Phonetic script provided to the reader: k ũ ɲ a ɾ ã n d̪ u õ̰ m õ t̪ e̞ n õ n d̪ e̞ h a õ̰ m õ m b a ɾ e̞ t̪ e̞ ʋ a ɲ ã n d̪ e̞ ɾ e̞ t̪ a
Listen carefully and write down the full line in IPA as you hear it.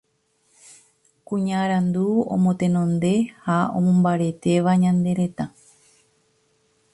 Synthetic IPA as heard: k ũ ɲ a ɾ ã n d̪ u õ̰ m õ t̪ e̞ n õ n d̪ e̞ h a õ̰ m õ m b a ɾ e̞ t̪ e̞ ʋ a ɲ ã n d̪ e̞ ɾ e̞ t̪ a